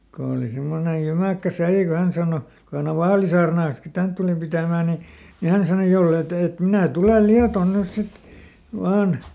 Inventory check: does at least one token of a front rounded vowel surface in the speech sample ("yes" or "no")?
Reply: yes